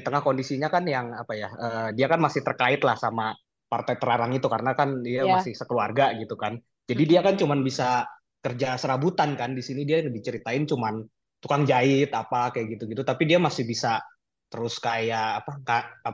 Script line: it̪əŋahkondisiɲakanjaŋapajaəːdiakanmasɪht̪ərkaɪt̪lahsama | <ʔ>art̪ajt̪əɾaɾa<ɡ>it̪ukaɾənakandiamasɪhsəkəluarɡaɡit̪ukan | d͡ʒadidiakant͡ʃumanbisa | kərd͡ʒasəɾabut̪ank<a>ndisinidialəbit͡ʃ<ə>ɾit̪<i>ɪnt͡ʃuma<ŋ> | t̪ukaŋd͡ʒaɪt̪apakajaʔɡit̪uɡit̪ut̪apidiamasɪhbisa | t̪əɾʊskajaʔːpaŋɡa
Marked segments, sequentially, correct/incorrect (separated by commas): incorrect, incorrect, correct, correct, incorrect, incorrect